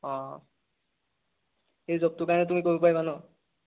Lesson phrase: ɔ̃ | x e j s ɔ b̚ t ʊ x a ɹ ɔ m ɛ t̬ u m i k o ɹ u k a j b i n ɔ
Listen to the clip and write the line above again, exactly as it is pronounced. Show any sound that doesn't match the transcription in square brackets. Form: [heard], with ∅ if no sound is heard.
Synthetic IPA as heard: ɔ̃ | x e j [z] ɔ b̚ t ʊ [k] a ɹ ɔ [n] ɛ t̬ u m i k o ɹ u [p] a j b [a] n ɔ

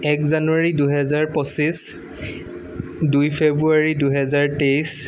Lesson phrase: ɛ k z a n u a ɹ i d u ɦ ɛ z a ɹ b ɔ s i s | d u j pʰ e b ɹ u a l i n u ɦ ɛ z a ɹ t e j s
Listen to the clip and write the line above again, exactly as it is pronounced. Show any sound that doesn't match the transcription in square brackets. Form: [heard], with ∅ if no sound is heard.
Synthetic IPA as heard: ɛ k z a n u a ɹ i d u ɦ ɛ z a ɹ [p] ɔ s i s | d u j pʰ e b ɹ u a [ɹ] i [d] u ɦ ɛ z a ɹ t e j s

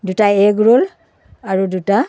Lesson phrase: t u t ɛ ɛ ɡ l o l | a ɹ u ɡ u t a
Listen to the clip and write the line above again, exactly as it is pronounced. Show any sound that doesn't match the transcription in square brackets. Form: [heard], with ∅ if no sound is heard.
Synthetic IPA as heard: [d] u t [a] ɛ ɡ [ɹ] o l | a ɹ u [d] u t a

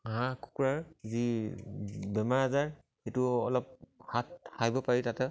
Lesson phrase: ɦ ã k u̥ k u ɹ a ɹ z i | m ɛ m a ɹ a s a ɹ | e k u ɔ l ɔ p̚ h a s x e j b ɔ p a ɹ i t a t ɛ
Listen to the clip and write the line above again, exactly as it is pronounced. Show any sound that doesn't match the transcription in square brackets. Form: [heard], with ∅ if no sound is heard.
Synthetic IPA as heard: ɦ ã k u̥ k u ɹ a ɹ z i | [b] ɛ m a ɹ a [z] a ɹ | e [t] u ɔ l ɔ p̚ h a [t] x [a] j b ɔ p a ɹ i t a t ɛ

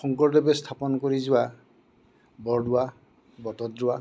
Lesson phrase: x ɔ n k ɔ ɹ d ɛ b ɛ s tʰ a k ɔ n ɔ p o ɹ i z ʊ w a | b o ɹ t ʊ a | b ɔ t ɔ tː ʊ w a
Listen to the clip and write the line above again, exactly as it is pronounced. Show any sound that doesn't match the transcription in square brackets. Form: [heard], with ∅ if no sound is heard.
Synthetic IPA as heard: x ɔ [ŋ] k ɔ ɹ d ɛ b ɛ s tʰ a [p] ɔ n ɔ [k] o ɹ i z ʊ w a | b [ɔ] ɹ [d] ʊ a | b ɔ t ɔ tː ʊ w a

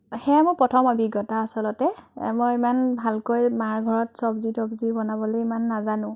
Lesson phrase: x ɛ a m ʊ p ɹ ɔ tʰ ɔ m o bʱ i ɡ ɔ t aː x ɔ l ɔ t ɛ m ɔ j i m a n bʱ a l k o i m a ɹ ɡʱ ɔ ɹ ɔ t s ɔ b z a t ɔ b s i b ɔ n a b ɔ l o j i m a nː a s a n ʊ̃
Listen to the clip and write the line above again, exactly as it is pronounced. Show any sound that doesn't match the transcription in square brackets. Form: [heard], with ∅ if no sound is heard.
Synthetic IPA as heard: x ɛ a m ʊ p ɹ ɔ tʰ ɔ m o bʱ i ɡ ɔ t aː [s] ɔ l ɔ t ɛ m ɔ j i m a n bʱ a l k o [j] m a ɹ ɡʱ ɔ ɹ ɔ t s ɔ b z [i] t ɔ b [z] i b ɔ n a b ɔ l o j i m a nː a [z] a n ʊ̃

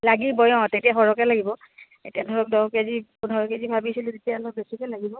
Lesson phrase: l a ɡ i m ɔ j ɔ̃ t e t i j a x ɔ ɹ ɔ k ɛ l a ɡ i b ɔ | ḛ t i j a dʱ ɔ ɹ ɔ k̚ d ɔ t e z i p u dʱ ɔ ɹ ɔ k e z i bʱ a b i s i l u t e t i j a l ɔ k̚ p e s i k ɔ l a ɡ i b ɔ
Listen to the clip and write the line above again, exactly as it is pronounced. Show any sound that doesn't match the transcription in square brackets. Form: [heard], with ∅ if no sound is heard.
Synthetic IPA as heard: l a ɡ i [b] ɔ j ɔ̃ t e t i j a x ɔ ɹ ɔ k ɛ l a ɡ i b ɔ | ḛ t i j a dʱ ɔ ɹ ɔ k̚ d ɔ [k] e z i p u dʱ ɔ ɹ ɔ k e z i bʱ a b i s i l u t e t i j a l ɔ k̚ [b] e s i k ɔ l a ɡ i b ɔ

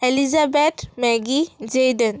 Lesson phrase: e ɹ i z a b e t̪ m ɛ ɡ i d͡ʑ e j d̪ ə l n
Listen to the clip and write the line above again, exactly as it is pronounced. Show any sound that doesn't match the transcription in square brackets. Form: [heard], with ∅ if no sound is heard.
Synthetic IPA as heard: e [l] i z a b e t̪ m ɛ ɡ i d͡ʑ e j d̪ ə [∅] n

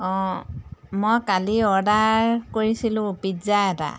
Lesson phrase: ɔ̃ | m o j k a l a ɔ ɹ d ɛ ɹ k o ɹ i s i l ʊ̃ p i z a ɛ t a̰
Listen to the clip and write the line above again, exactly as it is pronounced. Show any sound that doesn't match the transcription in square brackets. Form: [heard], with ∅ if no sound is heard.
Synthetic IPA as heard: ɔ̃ | m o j k a l [i] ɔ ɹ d [a] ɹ k o ɹ i s i l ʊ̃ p i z a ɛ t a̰

